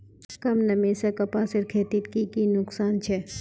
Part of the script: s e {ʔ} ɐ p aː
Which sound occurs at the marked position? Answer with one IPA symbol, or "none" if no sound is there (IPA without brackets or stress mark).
k